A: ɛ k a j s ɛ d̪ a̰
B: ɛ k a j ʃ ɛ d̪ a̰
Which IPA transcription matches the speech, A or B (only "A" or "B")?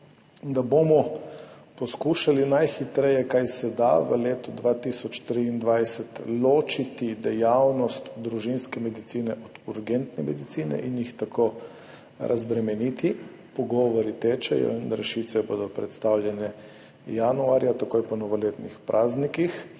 A